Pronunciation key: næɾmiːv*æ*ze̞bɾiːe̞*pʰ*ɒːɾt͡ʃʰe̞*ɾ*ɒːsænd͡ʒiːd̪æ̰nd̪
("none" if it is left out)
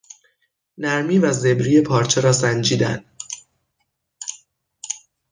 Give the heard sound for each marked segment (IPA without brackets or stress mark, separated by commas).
æ, pʰ, ɾ